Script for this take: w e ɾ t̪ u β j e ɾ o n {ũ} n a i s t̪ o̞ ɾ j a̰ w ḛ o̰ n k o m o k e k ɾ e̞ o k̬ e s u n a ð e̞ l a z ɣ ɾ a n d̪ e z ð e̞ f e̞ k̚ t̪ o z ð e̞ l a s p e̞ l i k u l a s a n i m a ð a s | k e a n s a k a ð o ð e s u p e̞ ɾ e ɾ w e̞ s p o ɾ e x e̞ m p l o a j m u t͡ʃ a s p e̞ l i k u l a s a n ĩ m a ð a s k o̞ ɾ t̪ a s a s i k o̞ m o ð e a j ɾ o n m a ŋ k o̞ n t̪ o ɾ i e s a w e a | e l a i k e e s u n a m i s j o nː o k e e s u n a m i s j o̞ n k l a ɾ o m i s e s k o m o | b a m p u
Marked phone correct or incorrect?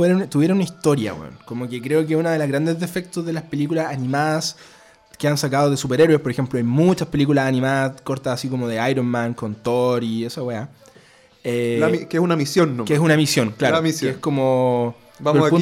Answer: incorrect